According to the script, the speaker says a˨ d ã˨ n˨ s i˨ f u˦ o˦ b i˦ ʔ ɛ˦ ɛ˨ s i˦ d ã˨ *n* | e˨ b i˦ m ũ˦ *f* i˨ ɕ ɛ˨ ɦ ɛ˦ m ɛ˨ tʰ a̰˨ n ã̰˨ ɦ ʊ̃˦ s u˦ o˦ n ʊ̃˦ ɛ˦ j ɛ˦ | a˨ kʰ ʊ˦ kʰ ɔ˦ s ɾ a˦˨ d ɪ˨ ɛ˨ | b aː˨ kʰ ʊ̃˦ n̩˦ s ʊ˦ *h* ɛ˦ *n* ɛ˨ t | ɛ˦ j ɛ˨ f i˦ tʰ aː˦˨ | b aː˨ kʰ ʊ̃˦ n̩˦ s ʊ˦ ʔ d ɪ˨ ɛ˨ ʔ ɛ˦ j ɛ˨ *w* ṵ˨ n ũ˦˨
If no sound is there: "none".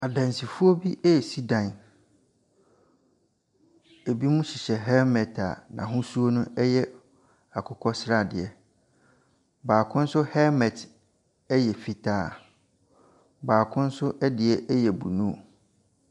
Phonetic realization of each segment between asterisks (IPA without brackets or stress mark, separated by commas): n, ɕ, h, m, b